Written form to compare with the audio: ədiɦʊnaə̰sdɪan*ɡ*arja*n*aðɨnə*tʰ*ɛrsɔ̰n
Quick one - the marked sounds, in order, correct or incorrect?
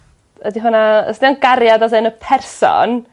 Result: correct, incorrect, incorrect

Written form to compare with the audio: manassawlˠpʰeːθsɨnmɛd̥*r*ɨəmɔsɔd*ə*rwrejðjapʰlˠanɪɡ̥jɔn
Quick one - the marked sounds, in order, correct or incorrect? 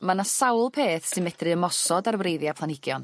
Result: correct, incorrect

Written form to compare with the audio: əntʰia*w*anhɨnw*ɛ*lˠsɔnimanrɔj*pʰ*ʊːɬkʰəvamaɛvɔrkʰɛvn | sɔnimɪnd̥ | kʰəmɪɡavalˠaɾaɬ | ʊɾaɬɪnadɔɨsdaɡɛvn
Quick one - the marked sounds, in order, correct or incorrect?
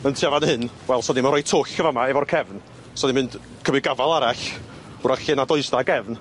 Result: incorrect, correct, incorrect

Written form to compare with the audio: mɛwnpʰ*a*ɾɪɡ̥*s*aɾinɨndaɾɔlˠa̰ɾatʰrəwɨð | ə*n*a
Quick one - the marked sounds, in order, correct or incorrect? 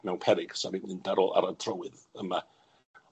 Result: incorrect, correct, incorrect

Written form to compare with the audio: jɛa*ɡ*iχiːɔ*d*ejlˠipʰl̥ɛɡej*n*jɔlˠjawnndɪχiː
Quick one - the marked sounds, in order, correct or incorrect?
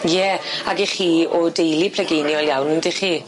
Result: correct, correct, correct

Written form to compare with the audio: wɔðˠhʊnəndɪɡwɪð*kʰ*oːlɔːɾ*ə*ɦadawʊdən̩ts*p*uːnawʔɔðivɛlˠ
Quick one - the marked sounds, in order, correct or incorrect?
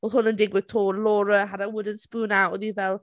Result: incorrect, correct, correct

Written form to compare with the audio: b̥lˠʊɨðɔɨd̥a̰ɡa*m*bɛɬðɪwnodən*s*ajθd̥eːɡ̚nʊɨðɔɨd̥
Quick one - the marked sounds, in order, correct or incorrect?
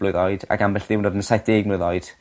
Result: correct, correct

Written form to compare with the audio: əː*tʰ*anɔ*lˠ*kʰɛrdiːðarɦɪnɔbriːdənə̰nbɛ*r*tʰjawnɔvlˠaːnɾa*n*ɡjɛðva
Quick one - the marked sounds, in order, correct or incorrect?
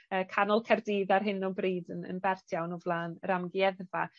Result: incorrect, correct, correct, incorrect

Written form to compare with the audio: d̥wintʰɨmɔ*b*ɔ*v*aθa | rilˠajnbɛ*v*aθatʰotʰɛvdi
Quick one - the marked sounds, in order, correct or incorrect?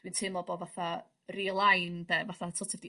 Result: correct, correct, correct

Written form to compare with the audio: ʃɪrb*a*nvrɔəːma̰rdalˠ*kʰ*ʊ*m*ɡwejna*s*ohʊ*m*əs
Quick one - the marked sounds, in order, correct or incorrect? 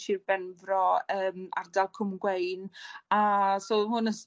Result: incorrect, correct, correct, correct, incorrect

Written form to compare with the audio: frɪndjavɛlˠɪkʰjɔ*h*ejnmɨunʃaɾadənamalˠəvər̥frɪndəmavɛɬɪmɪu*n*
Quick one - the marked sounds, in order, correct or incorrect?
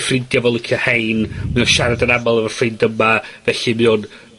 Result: correct, correct

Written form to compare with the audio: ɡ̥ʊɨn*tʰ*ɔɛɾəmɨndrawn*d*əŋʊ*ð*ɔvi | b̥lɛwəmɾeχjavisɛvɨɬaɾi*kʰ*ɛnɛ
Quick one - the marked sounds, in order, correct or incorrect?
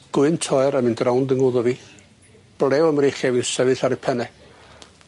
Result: correct, correct, correct, incorrect

